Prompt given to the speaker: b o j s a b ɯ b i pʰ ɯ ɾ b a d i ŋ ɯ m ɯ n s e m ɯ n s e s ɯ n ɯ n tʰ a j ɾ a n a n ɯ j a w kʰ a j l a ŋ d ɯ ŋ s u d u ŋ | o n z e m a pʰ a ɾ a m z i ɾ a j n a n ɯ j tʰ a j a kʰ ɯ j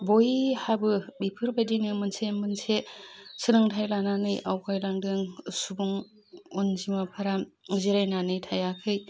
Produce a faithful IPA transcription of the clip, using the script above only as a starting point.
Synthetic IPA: b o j h a b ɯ b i pʰ ɯ ɾ b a d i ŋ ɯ m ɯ n s e m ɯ n s e s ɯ n ɯ ŋ tʰ a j l a n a n ɯ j a w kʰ a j l a ŋ d ɯ ŋ s u b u ŋ | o n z i m a pʰ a ɾ a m z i ɾ a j n a n ɯ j tʰ a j a kʰ ɯ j